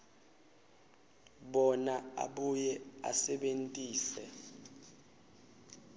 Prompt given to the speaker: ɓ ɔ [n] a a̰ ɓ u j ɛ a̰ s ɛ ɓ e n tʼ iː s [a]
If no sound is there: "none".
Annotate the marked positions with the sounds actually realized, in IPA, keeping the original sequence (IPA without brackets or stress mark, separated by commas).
n, ɛ